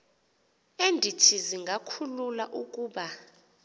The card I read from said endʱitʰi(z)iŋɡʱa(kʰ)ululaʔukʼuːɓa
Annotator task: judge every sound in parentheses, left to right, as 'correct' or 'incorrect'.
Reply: correct, correct

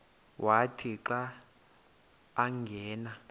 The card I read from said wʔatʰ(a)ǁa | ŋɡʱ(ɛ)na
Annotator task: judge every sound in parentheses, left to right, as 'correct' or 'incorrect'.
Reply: incorrect: i, incorrect: ɛː

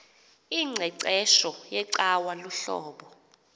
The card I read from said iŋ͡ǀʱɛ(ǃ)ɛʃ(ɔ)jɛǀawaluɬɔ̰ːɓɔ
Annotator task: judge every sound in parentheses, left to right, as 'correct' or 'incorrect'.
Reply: incorrect: ǀ, correct

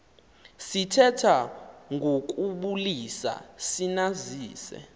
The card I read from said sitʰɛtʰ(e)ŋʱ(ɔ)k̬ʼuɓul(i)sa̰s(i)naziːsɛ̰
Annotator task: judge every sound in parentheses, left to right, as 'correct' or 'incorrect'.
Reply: incorrect: a, incorrect: o, correct, correct

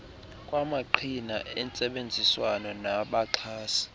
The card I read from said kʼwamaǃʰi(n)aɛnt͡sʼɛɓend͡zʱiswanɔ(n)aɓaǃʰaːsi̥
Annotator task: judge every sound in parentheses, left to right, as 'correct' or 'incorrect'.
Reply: correct, correct

